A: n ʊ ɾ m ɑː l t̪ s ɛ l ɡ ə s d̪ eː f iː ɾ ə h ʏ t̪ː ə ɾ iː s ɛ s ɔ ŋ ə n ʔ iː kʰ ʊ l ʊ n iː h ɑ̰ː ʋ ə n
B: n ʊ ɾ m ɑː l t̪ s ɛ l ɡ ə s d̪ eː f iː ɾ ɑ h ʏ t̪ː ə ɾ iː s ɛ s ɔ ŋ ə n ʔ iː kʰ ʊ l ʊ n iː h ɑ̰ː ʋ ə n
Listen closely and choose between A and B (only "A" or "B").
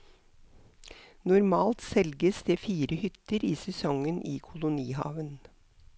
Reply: A